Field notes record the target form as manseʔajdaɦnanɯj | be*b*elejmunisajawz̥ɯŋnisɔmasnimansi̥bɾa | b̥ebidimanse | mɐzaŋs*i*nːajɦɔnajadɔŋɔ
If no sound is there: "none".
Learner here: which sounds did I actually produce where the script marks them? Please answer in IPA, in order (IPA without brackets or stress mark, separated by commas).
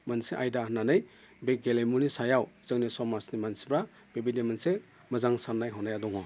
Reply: ɡ, a